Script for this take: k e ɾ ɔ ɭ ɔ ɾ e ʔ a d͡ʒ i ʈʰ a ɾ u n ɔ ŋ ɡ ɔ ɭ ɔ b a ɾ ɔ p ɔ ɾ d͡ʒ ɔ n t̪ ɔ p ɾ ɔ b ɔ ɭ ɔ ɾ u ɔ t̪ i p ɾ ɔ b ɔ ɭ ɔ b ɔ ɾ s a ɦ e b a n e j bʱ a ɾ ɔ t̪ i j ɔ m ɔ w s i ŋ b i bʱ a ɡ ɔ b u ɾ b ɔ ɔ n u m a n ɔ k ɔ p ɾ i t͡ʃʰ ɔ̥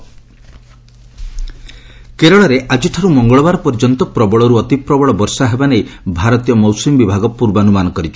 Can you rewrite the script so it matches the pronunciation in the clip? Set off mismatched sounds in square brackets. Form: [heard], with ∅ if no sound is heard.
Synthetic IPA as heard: k e ɾ ɔ ɭ ɔ ɾ e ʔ a d͡ʒ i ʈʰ a ɾ u [m] ɔ ŋ ɡ ɔ ɭ ɔ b a ɾ ɔ p ɔ ɾ d͡ʒ ɔ n t̪ ɔ p ɾ ɔ b ɔ ɭ ɔ ɾ u ɔ t̪ i p ɾ ɔ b ɔ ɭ ɔ b ɔ ɾ s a ɦ e b a n e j bʱ a ɾ ɔ t̪ i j ɔ m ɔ w s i [m] b i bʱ a ɡ ɔ [p] u ɾ b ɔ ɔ n u m a n ɔ k ɔ [∅] ɾ i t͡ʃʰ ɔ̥